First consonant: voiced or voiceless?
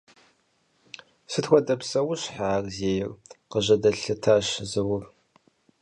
voiceless